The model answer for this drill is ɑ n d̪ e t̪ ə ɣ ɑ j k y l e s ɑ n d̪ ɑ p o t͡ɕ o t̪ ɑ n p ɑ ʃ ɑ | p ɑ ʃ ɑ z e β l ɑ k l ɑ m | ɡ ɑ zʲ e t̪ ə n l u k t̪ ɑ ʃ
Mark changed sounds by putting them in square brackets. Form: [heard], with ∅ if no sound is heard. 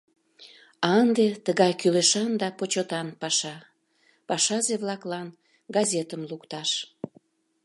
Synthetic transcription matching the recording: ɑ n d̪ e t̪ ə ɣ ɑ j k y l e [ʃ] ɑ n d̪ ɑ p o t͡ɕ o t̪ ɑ n p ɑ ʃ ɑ | p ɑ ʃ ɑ z e β l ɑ k l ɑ [n] | ɡ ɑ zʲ e t̪ ə [m] l u k t̪ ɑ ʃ